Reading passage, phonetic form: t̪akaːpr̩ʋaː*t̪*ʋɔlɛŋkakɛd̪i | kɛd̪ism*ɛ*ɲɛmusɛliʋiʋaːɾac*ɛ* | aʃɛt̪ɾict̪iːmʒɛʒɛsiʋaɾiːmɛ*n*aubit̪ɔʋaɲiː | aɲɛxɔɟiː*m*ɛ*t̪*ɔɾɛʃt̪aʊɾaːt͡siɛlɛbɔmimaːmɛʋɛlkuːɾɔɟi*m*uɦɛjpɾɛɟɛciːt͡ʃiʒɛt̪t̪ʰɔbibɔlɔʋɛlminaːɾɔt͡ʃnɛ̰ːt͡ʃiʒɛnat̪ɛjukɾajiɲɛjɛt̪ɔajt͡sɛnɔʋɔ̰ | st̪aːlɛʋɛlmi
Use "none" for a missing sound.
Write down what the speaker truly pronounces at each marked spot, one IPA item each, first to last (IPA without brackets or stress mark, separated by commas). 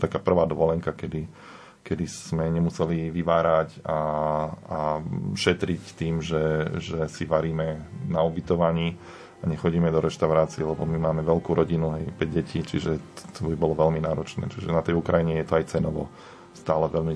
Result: d̪, ɛ, a, n, m, d̪, n